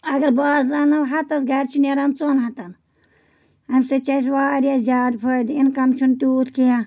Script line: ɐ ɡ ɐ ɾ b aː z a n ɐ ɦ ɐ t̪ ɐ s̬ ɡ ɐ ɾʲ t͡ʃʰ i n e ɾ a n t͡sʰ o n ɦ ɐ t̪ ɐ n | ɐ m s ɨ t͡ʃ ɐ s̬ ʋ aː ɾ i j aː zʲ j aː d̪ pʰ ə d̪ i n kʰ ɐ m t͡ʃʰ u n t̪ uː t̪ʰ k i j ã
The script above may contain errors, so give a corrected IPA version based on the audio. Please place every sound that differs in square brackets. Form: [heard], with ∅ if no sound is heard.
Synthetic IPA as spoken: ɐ ɡ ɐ ɾ b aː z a n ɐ ɦ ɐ t̪ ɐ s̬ ɡ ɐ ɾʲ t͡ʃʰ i n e ɾ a n [t͡s] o n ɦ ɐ t̪ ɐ n | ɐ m s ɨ t͡ʃ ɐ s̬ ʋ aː ɾ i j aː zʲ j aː d̪ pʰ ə d̪ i n [k] ɐ m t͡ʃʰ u n t̪ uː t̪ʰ k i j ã